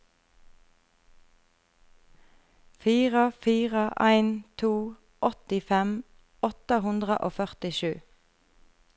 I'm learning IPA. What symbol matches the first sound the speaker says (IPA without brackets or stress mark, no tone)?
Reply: f